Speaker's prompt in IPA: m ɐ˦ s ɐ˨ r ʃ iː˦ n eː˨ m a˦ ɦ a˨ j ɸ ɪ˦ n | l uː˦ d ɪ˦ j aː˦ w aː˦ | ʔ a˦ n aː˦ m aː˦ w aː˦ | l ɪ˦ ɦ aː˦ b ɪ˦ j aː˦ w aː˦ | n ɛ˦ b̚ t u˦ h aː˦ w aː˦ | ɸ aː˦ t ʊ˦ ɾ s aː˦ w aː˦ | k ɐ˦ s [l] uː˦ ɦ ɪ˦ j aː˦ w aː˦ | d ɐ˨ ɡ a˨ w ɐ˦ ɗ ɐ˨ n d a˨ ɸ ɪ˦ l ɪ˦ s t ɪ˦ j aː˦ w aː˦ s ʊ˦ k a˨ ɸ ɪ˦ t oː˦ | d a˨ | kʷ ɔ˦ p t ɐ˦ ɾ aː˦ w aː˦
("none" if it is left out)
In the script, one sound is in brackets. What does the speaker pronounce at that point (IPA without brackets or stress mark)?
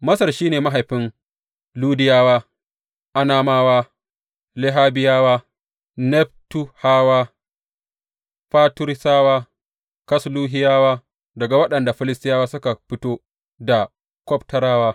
l